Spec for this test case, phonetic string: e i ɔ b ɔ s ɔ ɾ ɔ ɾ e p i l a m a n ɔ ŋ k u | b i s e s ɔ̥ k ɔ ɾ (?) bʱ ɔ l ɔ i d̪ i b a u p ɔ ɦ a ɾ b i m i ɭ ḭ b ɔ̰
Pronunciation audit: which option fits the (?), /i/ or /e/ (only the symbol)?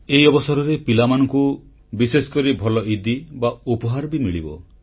i